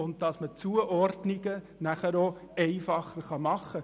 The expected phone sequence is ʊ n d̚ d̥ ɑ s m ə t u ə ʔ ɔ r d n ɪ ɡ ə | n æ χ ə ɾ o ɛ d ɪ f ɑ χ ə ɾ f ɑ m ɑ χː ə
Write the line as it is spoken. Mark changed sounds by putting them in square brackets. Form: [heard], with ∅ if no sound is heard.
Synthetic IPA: ʊ n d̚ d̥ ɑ s m ə [t͡s] u ə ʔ ɔ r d n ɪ ɡ ə | n æ χ ə ɾ o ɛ [∅] ɪ f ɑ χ ə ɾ [χ] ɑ m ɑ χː ə